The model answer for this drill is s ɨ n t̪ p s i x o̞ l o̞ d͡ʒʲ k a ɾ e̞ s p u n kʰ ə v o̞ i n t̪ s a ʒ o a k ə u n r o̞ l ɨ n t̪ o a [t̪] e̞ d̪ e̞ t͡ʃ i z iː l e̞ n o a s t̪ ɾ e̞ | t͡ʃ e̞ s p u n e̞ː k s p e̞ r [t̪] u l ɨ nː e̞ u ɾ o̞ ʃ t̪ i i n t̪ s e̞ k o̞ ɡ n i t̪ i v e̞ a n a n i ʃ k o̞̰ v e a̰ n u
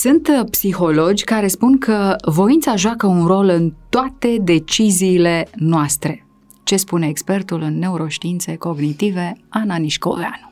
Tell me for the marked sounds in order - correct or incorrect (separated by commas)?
correct, correct